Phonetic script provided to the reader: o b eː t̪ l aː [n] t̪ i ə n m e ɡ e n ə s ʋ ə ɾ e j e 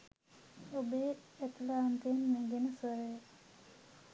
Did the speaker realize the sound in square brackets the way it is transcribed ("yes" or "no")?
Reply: yes